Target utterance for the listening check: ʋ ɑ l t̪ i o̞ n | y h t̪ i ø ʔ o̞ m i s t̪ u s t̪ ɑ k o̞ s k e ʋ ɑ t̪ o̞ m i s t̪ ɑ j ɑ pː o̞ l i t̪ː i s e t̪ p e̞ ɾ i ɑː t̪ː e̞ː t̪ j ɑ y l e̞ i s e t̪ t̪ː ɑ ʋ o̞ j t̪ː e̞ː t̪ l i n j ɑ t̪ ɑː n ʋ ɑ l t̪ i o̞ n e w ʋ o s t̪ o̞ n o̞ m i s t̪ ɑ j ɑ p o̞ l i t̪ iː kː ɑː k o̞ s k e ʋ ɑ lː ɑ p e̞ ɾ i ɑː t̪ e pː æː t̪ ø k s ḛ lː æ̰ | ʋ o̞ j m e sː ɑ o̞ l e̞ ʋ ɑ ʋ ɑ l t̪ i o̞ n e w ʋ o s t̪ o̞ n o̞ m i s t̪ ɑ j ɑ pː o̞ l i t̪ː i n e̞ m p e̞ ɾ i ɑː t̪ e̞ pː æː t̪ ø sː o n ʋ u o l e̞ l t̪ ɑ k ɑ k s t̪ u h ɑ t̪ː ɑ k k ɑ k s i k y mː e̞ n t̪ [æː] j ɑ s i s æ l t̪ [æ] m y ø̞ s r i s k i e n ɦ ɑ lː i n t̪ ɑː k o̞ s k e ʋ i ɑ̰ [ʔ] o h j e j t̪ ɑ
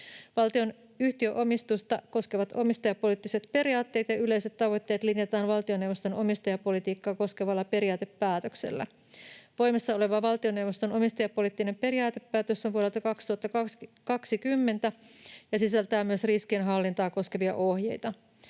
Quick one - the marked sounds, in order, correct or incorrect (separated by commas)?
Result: incorrect, incorrect, correct